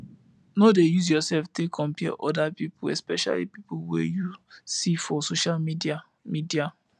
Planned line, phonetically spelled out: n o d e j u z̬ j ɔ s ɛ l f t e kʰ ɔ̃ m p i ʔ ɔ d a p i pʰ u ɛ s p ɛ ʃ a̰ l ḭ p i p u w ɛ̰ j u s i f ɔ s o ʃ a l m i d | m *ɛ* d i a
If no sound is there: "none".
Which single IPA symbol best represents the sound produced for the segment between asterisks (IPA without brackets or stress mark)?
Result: i